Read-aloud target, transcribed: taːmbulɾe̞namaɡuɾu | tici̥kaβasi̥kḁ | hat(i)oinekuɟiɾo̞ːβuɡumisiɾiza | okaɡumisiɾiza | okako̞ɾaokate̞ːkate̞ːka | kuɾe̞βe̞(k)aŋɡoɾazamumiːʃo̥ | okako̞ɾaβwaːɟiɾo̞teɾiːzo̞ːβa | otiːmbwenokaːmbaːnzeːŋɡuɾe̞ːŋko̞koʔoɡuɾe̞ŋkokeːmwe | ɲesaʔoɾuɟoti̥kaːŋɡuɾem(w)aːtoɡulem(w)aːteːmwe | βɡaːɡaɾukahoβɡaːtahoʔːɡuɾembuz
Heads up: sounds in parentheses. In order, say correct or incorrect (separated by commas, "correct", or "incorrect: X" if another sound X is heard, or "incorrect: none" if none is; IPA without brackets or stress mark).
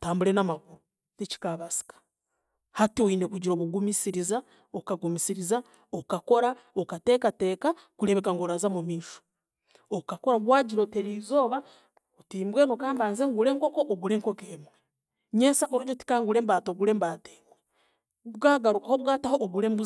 correct, correct, incorrect: b, incorrect: b